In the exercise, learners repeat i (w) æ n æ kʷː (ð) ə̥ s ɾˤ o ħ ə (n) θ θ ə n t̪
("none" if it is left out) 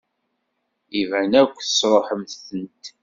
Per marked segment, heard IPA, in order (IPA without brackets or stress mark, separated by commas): v, θ, m